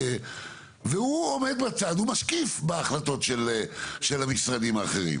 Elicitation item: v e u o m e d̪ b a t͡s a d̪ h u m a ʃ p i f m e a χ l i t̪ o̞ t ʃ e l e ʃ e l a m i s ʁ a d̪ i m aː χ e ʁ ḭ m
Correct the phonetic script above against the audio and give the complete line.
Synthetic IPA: v e u o m e d̪ b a t͡s a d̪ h u m a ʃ k i f b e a χ l a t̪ o̞ t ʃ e l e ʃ e l a m i s ʁ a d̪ i m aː χ e ʁ ḭ m